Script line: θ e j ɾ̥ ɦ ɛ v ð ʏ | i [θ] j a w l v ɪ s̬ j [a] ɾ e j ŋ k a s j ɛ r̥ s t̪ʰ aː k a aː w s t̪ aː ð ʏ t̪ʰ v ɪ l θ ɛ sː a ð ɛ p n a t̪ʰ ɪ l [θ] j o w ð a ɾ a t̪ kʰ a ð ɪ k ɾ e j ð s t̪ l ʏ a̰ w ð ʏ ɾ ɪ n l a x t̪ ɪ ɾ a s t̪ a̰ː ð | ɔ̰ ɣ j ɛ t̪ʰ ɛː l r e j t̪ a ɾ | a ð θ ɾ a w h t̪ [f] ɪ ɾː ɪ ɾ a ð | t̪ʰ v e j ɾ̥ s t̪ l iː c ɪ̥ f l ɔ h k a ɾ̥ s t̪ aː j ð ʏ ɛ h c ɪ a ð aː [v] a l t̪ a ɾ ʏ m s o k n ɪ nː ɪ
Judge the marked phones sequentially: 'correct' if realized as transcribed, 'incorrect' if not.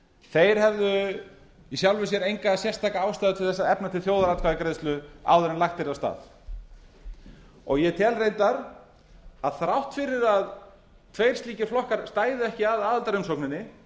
incorrect, incorrect, correct, correct, incorrect

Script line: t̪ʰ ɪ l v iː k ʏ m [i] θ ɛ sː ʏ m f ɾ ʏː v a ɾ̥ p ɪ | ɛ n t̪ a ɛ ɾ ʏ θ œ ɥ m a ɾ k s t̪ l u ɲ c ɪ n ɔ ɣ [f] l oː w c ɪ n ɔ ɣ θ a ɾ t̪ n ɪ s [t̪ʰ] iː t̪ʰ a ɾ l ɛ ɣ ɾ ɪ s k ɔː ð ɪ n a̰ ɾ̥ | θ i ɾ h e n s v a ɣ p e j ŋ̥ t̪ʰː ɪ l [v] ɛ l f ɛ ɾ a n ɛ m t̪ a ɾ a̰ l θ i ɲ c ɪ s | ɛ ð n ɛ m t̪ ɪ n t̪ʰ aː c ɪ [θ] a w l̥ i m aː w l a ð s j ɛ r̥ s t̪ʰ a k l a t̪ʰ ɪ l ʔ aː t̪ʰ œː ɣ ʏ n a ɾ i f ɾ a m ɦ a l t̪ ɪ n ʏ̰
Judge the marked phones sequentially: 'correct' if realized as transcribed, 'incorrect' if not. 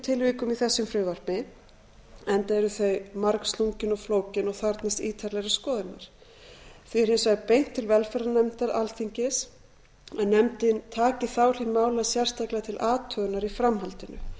correct, correct, incorrect, correct, correct

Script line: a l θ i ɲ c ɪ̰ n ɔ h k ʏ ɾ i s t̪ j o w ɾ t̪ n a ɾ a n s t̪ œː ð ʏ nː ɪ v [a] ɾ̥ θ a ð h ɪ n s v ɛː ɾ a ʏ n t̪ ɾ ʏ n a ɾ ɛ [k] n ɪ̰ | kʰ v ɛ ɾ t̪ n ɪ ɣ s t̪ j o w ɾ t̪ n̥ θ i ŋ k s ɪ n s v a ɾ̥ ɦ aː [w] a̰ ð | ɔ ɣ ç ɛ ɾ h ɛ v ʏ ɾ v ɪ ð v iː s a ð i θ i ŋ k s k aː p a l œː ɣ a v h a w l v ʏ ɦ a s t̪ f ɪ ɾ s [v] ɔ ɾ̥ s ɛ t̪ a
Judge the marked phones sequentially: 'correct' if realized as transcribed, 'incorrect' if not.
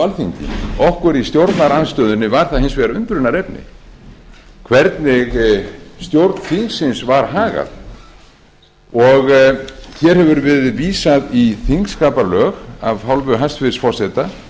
correct, incorrect, incorrect, incorrect

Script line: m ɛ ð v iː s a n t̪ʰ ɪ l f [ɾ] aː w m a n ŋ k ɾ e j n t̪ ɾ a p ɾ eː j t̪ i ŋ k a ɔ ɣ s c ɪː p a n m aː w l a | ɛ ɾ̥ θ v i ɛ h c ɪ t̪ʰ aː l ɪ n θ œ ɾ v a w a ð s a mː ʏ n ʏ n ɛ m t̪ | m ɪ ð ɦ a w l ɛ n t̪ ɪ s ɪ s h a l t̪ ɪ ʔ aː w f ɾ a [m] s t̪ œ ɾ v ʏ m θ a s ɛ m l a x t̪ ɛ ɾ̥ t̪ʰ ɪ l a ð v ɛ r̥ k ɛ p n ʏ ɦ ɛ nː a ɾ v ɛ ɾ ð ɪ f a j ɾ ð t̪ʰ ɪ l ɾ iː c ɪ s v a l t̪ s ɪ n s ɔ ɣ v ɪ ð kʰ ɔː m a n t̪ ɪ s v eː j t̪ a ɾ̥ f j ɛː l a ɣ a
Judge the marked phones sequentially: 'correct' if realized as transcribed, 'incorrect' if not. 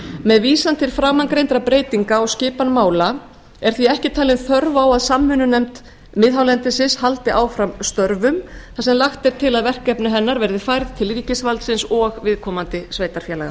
correct, correct

